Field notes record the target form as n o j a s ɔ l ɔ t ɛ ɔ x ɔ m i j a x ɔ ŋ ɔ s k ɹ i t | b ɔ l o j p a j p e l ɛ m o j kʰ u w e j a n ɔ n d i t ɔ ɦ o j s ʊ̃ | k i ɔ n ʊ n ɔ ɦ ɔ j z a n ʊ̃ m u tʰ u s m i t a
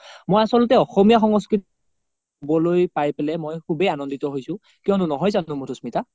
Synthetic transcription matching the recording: m o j a s ɔ l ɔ t ɛ ɔ x ɔ m i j a x ɔ ŋ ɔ s k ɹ i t | b ɔ l o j p a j p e l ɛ m o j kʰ u b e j a n ɔ n d i t ɔ ɦ o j s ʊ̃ | k i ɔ n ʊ n ɔ ɦ ɔ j z a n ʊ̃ m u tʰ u s m i t a

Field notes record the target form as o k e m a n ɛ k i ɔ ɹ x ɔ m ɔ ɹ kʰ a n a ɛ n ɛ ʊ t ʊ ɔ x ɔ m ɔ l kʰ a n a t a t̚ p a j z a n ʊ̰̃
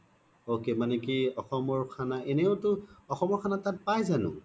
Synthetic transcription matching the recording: o k e m a n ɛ k i ɔ x ɔ m ɔ ɹ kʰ a n a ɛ n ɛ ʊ t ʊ ɔ x ɔ m ɔ ɹ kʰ a n a t a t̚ p a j z a n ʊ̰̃

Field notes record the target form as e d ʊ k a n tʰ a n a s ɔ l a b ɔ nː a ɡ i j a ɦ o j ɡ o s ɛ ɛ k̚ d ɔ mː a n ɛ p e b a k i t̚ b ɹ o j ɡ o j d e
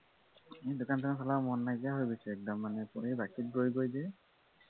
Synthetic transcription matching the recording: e d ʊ k a n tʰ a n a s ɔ l a m ɔ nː a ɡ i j a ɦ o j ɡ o s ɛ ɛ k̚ d ɔ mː a n ɛ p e b a k i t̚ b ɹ o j ɡ o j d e

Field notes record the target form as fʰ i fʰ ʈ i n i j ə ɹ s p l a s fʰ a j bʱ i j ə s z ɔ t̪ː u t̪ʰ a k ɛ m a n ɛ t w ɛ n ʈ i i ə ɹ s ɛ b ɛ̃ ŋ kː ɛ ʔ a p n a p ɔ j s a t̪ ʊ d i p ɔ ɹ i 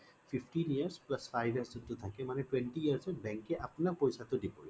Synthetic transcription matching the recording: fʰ i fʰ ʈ i n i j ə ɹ s p l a s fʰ a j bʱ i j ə s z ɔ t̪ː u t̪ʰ a k ɛ m a n ɛ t w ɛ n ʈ i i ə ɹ s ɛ b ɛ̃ ŋ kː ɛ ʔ a p n a p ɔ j s a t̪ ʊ d i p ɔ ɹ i

